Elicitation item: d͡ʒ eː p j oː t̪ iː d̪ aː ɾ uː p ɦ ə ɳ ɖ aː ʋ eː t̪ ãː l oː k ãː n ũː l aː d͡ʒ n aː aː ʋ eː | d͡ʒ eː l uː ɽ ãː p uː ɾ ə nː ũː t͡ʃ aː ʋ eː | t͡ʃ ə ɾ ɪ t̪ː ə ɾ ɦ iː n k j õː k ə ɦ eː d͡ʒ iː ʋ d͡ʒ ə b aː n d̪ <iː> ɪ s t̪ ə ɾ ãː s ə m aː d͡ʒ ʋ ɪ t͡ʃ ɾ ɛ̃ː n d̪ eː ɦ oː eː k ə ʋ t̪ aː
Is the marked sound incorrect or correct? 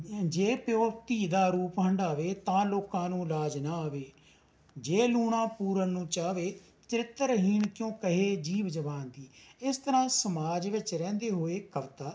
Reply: correct